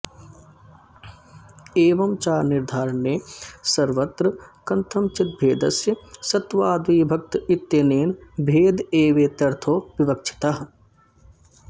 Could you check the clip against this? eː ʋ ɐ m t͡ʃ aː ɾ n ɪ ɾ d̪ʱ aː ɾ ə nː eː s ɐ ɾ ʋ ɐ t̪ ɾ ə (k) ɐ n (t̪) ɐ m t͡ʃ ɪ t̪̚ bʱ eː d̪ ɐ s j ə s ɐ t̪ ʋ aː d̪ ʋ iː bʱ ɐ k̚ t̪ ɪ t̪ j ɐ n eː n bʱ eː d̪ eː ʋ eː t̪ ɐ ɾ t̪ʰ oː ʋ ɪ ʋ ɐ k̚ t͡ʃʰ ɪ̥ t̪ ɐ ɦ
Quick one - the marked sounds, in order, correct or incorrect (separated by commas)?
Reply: correct, incorrect